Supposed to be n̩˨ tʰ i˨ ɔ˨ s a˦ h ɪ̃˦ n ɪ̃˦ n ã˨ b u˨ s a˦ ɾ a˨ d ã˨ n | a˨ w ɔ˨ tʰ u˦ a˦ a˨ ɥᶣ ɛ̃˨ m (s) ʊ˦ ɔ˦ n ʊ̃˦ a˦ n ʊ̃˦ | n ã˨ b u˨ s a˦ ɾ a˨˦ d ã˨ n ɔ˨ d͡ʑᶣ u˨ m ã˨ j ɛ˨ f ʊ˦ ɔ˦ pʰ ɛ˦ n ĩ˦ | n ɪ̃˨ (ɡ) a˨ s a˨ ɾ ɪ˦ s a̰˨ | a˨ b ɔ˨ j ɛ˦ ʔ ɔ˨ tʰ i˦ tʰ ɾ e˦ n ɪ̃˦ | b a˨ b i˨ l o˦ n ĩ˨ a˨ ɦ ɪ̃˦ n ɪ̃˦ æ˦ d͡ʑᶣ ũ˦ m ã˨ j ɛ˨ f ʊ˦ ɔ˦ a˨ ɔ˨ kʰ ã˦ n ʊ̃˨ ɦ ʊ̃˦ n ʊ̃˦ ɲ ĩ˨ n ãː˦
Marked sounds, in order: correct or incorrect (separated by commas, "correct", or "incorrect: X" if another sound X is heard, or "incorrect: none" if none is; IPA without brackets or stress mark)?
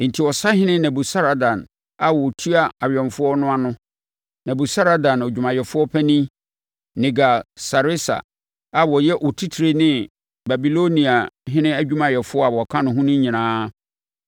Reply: incorrect: f, correct